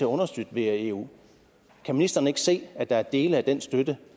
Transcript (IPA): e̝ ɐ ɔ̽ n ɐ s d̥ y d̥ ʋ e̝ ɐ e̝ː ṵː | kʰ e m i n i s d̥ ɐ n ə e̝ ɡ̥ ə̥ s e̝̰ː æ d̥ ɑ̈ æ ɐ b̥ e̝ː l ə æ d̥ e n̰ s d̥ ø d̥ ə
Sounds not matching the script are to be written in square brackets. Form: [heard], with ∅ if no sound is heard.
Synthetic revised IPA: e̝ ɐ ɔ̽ n ɐ s d̥ y d̥ ʋ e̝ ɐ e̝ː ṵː | kʰ [æ] m i n i s d̥ ɐ n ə e̝ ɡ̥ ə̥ s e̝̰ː æ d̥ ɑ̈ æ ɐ [d̥] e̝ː l ə æ d̥ e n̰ s d̥ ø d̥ ə